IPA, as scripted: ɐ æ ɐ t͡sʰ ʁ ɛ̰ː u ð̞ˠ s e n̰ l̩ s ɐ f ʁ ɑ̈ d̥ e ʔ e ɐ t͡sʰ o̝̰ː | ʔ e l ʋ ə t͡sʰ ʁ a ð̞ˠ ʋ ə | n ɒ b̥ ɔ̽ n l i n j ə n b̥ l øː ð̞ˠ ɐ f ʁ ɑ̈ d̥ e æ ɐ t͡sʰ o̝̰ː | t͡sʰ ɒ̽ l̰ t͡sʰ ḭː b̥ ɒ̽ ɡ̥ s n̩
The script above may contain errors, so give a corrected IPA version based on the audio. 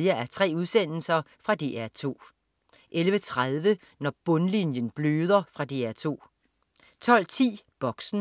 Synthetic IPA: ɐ æ ɐ t͡sʰ ʁ ɛ̰ː u ð̞ˠ s e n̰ l̩ s ɐ f ʁ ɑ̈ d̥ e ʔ æ ɐ t͡sʰ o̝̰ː | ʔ e l ʋ ə t͡sʰ ʁ a ð̞ˠ ʋ ə | n ɒ b̥ ɔ̽ n l i n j ə n b̥ l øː ð̞ˠ ɐ f ʁ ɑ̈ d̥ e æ ɐ t͡sʰ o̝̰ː | t͡sʰ ɒ̽ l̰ t͡sʰ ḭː b̥ ɒ̽ ɡ̥ s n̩